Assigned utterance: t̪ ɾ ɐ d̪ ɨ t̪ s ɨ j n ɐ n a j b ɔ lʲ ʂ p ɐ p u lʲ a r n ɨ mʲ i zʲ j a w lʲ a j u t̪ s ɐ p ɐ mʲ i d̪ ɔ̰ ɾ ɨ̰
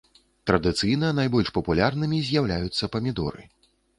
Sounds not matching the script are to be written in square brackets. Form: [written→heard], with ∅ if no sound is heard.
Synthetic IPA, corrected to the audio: t̪ ɾ ɐ d̪ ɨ t̪ s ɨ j n ɐ n a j b ɔ lʲ ʂ p ɐ p u lʲ a r n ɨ mʲ i zʲ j a w lʲ a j u t̪ [s→sː] ɐ p ɐ mʲ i d̪ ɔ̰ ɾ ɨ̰